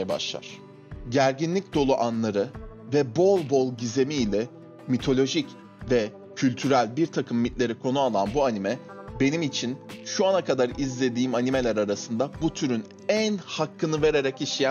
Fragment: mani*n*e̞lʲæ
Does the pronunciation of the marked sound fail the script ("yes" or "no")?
yes